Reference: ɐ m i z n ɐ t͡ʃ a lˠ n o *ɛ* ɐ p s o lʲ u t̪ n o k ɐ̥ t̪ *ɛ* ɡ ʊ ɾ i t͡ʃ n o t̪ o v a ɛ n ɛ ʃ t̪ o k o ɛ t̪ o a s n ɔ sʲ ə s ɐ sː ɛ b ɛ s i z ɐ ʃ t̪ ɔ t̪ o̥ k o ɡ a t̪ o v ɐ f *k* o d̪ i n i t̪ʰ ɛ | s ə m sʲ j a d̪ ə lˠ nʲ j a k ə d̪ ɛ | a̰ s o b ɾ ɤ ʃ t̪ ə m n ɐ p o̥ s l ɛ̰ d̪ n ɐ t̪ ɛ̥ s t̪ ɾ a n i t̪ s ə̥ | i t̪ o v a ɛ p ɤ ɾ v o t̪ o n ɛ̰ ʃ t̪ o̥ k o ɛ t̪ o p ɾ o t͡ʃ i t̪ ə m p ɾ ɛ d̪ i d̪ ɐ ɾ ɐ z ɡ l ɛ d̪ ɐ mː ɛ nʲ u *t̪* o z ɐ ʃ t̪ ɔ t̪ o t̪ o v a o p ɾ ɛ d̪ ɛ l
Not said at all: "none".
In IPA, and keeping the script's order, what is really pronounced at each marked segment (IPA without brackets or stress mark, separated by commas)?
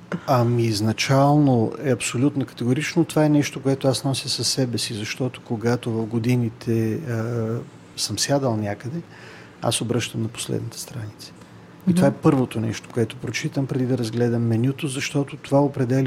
ɛ, ɛ, ɡ, t̪